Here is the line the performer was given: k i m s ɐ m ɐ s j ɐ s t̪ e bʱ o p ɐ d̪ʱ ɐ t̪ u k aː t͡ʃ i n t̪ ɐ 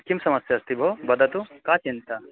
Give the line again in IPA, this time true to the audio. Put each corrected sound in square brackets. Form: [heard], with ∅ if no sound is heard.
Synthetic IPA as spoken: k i m s ɐ m ɐ s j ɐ s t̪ [i] bʱ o [b] ɐ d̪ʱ ɐ t̪ u k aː t͡ʃ i n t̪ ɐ